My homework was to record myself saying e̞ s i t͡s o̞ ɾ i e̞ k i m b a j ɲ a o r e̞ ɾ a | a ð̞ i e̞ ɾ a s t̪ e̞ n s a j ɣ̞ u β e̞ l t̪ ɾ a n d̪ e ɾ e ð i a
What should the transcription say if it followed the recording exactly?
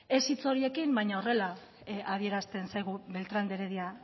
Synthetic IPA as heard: e̞ s i t͡s o̞ ɾ i e̞ k i m b a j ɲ a o r e̞ l a | a ð̞ i e̞ ɾ a s t̪ e̞ n s a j ɣ̞ u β e̞ l t̪ ɾ a n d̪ e ɾ e ð i a